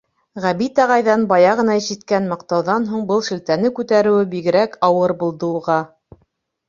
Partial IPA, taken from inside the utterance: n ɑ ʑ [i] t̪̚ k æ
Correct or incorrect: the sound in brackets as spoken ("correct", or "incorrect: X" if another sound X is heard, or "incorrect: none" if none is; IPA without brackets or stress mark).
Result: correct